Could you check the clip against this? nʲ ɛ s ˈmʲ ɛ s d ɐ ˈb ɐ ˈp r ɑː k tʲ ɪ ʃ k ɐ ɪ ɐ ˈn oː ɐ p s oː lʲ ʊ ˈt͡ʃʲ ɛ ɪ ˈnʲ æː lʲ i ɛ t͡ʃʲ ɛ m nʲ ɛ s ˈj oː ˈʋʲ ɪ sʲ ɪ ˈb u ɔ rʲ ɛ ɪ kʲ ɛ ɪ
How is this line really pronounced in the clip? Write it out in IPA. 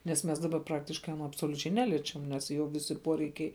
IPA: nʲ ɛ s ˈmʲ ɛ s d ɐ ˈb ɐ ˈp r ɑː k tʲ ɪ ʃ k ɐ ɪ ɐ ˈn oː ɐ p s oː lʲ ʊ ˈt͡ʃʲ ɛ ɪ ˈnʲ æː lʲ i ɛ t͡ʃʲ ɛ m nʲ ɛ s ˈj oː ˈʋʲ ɪ sʲ ɪ ˈp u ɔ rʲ ɛ ɪ kʲ ɛ ɪ

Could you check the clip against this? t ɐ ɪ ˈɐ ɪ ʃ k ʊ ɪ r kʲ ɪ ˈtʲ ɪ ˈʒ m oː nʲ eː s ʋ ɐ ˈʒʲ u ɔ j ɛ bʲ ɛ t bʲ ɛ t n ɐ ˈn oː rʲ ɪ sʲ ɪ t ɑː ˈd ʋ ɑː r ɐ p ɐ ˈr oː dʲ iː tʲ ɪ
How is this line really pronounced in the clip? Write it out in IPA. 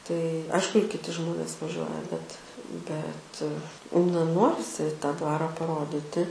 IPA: t ɐ ɪ ˈɐ ɪ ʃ k ʊ ɪ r kʲ ɪ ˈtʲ ɪ ˈʒ m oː nʲ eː s ʋ ɐ ˈʒʲ u ɔ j ɛ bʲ ɛ t bʲ ɛ t n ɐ ˈn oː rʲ ɪ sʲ ɪ t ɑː ˈd ʋ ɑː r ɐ p ɐ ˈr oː dʲ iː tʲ ɪ

